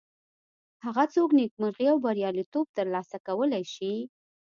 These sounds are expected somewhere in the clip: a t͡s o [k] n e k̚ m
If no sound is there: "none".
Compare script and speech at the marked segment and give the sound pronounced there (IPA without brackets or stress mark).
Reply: k